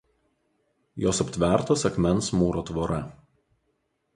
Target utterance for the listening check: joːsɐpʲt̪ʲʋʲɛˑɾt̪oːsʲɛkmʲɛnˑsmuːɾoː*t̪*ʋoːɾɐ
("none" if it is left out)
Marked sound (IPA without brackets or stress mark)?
t̪